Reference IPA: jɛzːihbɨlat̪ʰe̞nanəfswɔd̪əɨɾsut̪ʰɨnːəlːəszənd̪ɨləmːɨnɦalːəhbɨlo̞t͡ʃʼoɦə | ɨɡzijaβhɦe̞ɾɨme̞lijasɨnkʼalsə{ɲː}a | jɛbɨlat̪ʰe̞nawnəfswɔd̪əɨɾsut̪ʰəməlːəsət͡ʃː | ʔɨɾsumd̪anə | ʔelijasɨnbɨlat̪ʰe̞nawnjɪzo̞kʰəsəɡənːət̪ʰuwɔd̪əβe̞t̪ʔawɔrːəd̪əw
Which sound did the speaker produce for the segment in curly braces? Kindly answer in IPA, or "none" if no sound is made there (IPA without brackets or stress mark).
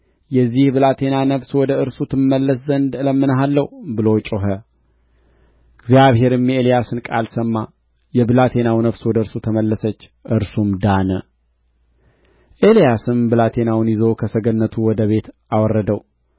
mː